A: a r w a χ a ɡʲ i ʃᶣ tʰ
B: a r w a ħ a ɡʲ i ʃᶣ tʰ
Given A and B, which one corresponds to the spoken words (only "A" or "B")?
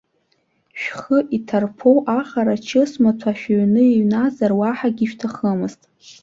B